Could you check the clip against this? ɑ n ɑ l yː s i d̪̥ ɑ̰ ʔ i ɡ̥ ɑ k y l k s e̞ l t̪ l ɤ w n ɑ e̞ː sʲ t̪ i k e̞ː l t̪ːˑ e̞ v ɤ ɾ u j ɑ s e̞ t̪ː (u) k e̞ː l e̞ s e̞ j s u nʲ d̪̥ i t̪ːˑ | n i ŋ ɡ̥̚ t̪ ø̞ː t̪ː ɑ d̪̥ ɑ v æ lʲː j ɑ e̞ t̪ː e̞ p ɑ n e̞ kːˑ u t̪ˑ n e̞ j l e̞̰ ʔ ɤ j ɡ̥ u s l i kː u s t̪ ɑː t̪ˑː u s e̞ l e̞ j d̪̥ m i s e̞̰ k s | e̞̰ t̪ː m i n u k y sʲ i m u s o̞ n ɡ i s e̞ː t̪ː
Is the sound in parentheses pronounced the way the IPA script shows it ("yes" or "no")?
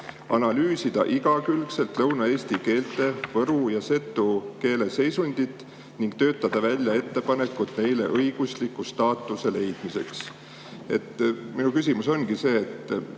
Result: yes